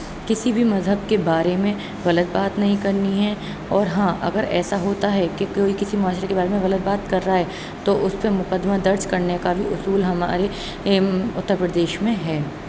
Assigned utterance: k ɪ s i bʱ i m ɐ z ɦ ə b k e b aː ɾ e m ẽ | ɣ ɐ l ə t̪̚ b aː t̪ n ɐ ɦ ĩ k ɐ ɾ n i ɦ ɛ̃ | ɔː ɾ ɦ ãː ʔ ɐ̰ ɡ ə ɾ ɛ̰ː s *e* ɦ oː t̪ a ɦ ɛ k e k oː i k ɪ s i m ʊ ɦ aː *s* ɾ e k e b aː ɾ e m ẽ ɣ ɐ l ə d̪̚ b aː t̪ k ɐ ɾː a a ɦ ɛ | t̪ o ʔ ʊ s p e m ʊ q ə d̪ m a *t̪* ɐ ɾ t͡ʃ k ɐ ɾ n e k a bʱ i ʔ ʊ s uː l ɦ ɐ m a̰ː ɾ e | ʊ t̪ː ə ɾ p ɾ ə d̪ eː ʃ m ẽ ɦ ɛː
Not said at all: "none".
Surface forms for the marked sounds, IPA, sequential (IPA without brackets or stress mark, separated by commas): a, ʃ, d̪